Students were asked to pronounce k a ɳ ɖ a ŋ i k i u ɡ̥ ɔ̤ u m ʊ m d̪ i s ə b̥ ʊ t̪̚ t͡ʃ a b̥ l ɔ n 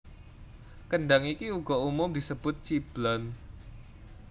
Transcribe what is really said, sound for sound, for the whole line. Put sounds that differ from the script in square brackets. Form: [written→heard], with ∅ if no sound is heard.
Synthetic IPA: k [a→ə] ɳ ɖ a ŋ i k i u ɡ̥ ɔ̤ u m ʊ m d̪ i s ə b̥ ʊ t̪̚ t͡ʃ [a→i] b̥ l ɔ n